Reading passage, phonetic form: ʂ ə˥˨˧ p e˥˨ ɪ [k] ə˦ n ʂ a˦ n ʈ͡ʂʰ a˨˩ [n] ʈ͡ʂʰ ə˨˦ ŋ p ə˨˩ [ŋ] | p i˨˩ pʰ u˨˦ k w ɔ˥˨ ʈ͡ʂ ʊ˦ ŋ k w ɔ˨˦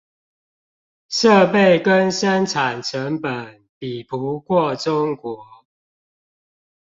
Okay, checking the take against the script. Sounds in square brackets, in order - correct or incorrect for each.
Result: correct, correct, incorrect

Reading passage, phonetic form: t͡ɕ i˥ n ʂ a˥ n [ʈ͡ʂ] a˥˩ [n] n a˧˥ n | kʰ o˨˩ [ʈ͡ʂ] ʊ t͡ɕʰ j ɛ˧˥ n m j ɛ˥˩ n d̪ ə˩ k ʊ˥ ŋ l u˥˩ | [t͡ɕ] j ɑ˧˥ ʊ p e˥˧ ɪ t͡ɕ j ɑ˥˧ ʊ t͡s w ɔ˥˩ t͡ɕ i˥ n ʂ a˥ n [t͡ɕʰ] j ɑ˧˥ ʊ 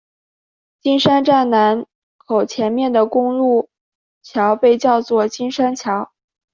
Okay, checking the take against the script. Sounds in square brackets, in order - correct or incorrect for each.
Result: correct, correct, incorrect, incorrect, correct

